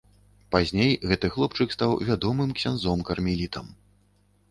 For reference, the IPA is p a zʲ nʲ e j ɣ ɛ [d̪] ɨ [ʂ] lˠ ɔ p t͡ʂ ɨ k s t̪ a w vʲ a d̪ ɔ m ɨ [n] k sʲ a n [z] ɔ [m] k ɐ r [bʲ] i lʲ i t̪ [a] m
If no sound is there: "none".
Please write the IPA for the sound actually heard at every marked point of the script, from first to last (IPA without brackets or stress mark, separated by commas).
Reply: t̪, x, m, z, m, mʲ, ɐ